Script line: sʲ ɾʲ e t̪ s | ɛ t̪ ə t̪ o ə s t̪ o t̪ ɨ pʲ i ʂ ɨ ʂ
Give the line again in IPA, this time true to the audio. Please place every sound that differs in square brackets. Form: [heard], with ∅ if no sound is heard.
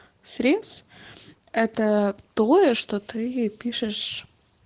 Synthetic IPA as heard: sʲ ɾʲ e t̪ s | ɛ t̪ ə t̪ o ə [ʂ] t̪ o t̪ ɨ pʲ i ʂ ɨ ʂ